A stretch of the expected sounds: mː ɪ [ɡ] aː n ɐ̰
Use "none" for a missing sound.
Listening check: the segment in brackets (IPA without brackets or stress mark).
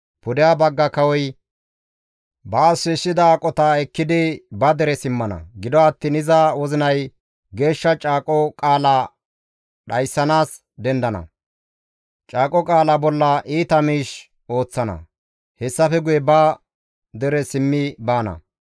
b